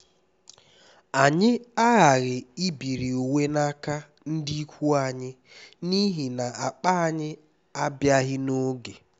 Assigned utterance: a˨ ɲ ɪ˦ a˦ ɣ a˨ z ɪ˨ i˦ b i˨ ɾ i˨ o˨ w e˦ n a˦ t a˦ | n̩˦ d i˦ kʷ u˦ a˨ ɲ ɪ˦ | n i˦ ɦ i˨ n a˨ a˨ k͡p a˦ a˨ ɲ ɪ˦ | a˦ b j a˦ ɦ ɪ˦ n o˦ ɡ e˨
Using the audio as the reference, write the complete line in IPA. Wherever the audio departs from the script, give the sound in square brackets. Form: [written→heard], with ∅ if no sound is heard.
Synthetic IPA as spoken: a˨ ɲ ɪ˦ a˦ ɣ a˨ [z→ɣ] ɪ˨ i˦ b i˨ ɾ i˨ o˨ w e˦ n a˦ [t→k] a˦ | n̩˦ d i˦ kʷ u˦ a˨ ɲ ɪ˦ | n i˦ ɦ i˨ n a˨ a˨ k͡p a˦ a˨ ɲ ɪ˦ | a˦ b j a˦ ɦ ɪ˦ n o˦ ɡ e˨